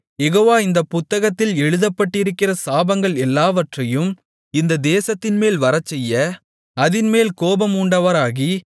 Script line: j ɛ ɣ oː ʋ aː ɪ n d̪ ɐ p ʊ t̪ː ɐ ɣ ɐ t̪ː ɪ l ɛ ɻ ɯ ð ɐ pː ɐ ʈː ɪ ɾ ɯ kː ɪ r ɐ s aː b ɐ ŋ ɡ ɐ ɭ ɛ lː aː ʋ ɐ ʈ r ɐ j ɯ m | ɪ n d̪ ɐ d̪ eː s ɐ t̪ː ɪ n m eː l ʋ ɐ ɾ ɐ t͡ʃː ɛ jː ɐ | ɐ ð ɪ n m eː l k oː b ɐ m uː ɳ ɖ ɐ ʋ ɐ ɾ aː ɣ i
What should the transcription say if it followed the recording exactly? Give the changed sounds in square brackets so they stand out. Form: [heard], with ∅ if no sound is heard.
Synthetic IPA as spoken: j ɛ ɣ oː ʋ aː ɪ n d̪ ɐ p ʊ t̪ː ɐ ɣ ɐ t̪ː ɪ l ɛ ɻ ɯ ð ɐ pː ɐ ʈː ɪ ɾ ɯ kː ɪ r ɐ s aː b ɐ ŋ ɡ ɐ ɭ ɛ lː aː ʋ ɐ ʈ r ɐ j ɯ m | ɪ n d̪ ɐ d̪ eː s ɐ t̪ː ɪ n m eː l ʋ ɐ ɾ ɐ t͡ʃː ɛ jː ɐ | ɐ ð ɪ n m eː l k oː b ɐ m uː ɳ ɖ ɐ ʋ ɐ ɾ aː ɣ i